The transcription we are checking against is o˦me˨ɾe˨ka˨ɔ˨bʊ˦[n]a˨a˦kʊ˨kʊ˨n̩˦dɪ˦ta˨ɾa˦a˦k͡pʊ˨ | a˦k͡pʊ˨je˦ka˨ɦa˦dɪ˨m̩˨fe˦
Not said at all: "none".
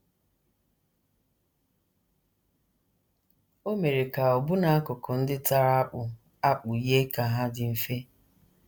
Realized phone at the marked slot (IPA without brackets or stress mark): n